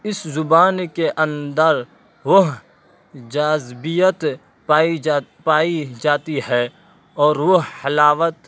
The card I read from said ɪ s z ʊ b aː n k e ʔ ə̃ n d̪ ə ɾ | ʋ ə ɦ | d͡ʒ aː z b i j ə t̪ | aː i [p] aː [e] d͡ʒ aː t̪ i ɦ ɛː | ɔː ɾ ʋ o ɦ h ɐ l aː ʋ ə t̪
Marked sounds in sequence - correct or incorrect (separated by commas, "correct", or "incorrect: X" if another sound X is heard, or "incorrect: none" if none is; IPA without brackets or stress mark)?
correct, incorrect: i